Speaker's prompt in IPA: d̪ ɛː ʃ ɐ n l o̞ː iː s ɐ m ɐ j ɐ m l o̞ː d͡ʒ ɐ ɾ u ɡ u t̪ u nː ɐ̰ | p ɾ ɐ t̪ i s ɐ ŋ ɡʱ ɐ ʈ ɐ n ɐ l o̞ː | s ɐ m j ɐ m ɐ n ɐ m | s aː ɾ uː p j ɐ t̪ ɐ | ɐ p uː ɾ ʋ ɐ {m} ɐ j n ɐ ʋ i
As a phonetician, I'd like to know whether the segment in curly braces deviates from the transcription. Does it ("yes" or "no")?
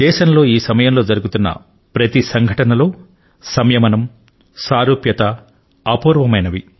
no